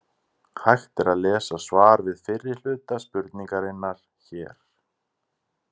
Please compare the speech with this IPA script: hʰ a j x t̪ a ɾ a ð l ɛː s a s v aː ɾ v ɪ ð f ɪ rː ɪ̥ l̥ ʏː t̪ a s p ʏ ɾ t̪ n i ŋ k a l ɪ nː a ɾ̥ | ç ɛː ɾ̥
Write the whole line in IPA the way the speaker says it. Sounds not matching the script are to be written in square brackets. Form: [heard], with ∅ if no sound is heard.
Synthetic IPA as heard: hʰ a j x t̪ [ɛ] ɾ a ð l ɛː s a s v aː ɾ v ɪ ð f ɪ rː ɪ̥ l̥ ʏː t̪ a s p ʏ ɾ t̪ n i ŋ k a [ɾ] ɪ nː a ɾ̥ | ç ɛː ɾ̥